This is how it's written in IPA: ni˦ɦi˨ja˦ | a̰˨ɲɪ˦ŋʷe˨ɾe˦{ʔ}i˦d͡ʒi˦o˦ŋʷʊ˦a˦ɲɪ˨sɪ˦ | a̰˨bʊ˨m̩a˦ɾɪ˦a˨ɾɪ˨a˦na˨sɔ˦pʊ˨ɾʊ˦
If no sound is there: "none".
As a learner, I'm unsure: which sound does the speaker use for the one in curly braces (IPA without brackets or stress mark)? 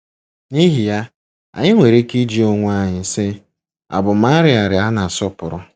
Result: k